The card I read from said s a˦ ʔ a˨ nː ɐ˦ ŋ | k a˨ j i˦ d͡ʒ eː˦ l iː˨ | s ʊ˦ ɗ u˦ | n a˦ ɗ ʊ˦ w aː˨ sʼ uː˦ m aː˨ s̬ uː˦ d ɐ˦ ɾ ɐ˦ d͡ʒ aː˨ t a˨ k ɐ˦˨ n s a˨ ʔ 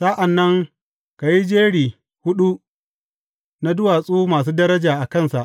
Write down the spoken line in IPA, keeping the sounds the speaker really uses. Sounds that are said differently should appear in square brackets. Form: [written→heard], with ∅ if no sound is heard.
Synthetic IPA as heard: s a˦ ʔ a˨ nː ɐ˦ ŋ | k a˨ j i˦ d͡ʒ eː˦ [l→ɽ] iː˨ | [s→h] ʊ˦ ɗ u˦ | n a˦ [ɗ→d] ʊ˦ w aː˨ sʼ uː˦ m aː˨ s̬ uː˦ d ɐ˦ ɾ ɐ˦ d͡ʒ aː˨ [t→ʔ] a˨ k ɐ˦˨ n s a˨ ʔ